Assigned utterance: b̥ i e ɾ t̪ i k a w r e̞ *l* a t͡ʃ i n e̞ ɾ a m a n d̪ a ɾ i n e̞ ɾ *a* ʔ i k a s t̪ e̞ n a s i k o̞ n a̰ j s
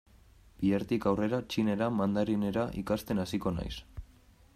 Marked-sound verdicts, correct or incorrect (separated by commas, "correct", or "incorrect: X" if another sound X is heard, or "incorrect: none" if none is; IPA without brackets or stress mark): incorrect: ɾ, correct